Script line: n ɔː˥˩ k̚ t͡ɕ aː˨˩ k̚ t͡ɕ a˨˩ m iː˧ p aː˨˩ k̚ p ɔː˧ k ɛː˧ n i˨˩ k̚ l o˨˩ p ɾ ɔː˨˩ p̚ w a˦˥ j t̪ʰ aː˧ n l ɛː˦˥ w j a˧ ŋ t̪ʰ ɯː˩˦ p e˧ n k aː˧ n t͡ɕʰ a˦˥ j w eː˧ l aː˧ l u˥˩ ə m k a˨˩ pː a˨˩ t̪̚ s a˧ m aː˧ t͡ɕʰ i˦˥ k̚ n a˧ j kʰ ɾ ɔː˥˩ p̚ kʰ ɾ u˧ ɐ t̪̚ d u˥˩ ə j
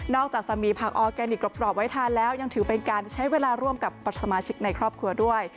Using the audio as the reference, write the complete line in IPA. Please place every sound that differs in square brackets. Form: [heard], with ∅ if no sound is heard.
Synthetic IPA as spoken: n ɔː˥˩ k̚ t͡ɕ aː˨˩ k̚ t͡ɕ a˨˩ m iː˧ [pʰ] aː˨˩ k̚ [ʔ] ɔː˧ k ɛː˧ n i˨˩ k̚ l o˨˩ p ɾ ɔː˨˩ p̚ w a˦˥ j t̪ʰ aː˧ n l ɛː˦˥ w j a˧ ŋ t̪ʰ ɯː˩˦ p e˧ n k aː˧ n t͡ɕʰ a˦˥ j w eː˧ l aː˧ [ɾ] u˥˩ ə m k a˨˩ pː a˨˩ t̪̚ s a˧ m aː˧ t͡ɕʰ i˦˥ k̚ n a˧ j kʰ ɾ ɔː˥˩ p̚ kʰ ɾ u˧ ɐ [∅] d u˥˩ ə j

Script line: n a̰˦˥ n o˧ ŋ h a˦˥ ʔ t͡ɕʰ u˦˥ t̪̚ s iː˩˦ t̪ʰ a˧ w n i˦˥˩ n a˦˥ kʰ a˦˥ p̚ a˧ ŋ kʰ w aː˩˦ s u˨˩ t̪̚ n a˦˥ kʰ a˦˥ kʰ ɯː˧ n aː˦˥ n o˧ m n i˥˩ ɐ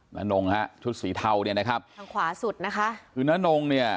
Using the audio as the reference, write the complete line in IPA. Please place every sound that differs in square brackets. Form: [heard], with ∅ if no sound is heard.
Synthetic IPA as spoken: n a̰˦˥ n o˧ ŋ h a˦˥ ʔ t͡ɕʰ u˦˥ t̪̚ s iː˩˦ t̪ʰ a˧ w n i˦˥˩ n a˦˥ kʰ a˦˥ p̚ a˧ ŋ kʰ w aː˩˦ s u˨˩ t̪̚ n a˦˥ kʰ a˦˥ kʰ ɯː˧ n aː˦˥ n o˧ [ŋ] n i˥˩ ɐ

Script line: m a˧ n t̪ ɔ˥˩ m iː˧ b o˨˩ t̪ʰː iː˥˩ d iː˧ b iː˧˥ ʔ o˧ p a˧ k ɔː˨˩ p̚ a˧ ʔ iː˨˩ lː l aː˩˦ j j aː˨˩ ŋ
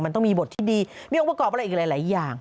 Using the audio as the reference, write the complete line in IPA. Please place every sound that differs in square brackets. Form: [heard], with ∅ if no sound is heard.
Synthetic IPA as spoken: m a˧ n t̪ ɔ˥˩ m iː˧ b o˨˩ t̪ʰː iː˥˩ d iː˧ [m] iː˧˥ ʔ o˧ p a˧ k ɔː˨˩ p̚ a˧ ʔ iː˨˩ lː l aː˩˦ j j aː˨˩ ŋ

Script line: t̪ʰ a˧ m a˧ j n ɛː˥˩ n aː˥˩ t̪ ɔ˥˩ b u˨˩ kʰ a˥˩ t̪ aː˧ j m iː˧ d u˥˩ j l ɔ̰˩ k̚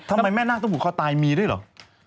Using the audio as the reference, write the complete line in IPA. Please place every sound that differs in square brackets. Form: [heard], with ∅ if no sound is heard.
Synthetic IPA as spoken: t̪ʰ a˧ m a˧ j [m] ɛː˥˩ n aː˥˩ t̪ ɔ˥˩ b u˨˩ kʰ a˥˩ t̪ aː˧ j m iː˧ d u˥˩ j l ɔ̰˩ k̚

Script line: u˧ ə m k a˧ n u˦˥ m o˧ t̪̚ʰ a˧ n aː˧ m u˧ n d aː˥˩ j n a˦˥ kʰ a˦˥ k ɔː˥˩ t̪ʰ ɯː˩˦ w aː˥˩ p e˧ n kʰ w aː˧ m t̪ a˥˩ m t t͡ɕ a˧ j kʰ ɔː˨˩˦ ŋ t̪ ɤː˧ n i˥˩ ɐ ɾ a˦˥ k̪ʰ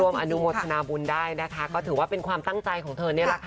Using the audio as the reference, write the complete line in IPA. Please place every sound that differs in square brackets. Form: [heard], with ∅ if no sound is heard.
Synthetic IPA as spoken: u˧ ə m [ʔ] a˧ n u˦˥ m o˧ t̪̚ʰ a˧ n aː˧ [b] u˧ n d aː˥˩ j n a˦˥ kʰ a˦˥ k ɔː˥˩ t̪ʰ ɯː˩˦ w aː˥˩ p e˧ n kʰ w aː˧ m t̪ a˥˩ [ŋ] t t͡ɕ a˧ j kʰ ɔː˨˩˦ ŋ [t̪ʰ] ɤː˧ n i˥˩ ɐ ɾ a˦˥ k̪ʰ

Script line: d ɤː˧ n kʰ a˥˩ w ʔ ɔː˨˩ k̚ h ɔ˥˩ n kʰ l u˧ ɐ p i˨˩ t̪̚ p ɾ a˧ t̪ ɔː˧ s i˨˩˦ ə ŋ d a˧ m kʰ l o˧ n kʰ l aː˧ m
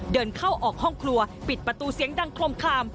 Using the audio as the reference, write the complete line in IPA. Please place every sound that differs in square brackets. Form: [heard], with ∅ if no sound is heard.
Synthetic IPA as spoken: d ɤː˧ n kʰ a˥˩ w ʔ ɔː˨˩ k̚ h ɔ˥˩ [ŋ] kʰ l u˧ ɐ p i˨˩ t̪̚ p ɾ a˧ t̪ [uː˧] s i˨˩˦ ə ŋ d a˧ [ŋ] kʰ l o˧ [m] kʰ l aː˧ m

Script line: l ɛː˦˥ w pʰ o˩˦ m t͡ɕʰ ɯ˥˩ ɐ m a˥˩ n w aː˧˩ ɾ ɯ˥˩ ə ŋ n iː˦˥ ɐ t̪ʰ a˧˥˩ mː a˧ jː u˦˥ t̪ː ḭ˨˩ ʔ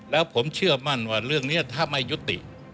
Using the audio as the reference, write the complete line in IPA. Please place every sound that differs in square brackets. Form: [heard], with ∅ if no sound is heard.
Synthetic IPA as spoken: l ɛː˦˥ w pʰ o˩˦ m t͡ɕʰ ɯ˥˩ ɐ m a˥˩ n w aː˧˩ ɾ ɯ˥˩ ə ŋ n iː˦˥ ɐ t̪ʰ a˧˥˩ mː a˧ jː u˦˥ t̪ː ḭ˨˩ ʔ

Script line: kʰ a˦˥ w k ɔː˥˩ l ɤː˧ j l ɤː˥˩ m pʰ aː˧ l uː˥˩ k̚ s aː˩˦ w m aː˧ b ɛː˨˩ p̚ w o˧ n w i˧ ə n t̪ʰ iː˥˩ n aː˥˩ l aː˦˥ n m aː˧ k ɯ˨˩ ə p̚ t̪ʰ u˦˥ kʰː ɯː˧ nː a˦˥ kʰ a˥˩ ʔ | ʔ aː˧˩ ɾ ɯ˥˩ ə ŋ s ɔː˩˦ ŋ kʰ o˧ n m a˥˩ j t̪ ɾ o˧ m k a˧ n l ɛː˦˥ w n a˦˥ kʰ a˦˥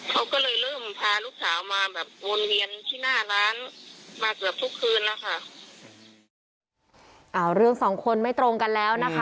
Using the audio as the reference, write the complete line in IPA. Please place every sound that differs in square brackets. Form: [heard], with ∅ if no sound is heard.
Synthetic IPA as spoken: kʰ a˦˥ w k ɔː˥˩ l ɤː˧ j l ɤː˥˩ m pʰ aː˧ l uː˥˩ k̚ s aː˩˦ w m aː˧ b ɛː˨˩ p̚ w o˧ n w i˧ ə n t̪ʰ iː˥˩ n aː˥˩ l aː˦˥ n m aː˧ k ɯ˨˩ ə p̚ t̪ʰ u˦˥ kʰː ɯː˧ nː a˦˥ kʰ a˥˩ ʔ | ʔ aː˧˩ ɾ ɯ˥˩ ə ŋ s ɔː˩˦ ŋ kʰ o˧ n m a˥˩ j t̪ ɾ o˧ [ŋ] k a˧ n l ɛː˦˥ w n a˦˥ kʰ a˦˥

